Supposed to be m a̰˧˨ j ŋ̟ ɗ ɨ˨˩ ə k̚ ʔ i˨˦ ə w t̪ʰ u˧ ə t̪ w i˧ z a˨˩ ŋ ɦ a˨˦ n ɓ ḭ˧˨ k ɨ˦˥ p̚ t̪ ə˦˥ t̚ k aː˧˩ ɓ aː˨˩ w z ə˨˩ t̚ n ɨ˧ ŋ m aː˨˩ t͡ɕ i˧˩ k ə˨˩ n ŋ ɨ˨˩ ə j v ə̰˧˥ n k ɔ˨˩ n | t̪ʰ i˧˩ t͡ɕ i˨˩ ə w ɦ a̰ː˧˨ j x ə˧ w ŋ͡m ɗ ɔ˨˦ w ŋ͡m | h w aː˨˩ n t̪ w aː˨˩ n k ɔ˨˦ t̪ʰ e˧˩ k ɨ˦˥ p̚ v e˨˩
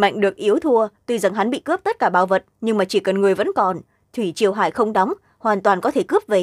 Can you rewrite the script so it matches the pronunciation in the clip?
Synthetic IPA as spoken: m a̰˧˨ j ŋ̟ ɗ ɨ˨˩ ə k̚ ʔ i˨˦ ə w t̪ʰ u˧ ə t̪ w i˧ z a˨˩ ŋ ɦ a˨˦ n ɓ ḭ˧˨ k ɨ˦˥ p̚ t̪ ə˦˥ t̚ k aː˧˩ ɓ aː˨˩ w v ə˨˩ t̚ ɲ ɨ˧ ŋ m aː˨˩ t͡ɕ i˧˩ k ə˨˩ n ŋ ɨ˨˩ ə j v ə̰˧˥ n k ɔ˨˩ n | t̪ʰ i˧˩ t͡ɕ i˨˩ ə w ɦ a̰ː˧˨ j x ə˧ w ŋ͡m ɗ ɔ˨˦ w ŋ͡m | h w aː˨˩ n t̪ w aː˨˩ n k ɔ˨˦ t̪ʰ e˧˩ k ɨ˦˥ p̚ v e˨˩